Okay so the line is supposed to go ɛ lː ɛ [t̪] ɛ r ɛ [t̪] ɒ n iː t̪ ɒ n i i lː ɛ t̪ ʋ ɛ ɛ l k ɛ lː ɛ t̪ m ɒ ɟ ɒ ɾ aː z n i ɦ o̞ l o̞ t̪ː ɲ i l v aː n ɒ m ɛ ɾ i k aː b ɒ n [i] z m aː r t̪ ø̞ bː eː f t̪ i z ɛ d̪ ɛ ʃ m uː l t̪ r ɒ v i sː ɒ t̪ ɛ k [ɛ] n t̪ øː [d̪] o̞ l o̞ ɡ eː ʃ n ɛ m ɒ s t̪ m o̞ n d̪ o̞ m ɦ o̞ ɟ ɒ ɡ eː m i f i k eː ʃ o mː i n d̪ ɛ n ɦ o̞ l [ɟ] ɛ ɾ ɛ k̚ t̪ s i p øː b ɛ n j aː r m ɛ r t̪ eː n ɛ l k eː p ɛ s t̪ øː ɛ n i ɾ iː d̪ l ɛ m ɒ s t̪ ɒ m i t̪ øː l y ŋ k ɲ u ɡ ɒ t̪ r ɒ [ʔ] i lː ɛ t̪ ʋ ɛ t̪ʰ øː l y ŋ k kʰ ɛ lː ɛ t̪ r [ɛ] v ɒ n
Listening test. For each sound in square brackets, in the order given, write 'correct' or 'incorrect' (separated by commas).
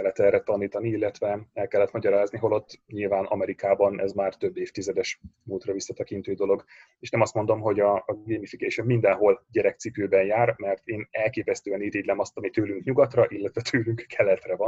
correct, correct, incorrect, incorrect, correct, correct, correct, correct